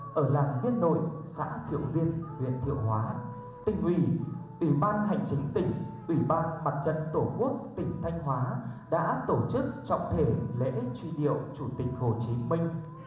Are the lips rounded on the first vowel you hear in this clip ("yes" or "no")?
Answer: no